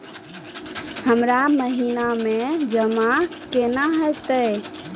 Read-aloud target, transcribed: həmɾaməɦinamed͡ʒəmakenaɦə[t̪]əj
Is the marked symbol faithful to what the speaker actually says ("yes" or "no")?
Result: yes